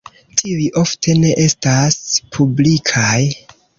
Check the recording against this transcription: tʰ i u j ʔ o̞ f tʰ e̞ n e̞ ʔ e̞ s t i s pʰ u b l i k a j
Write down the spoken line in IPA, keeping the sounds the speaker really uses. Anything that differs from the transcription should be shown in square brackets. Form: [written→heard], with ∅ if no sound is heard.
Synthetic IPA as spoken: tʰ i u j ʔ o̞ f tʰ e̞ n e̞ ʔ e̞ s t [i→a] s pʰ u b l i [k→kʰ] a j